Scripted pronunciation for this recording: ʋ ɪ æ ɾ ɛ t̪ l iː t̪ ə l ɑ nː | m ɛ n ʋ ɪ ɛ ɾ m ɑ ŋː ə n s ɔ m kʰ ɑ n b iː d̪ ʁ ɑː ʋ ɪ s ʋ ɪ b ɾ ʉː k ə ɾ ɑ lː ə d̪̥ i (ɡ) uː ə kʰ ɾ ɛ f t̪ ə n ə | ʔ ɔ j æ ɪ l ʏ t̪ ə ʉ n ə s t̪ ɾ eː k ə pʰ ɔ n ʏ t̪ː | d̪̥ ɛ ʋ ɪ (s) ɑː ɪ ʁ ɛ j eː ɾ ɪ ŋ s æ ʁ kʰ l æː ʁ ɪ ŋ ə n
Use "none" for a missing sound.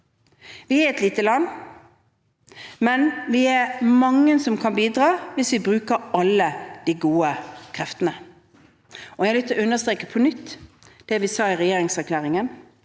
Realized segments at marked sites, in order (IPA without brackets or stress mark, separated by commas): ɡ, s